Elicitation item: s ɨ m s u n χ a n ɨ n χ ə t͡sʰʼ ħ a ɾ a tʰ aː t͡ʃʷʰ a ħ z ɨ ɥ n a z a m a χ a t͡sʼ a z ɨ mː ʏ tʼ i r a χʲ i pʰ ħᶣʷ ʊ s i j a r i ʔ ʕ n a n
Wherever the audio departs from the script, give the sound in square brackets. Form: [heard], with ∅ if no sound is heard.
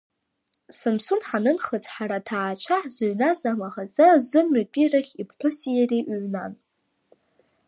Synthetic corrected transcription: s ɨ m s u n [ħ] a n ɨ n χ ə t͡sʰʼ ħ a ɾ a tʰ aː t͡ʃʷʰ a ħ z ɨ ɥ n a z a m a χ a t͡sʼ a z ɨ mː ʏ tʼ i r a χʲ i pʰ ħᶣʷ ʊ s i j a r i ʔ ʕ n a n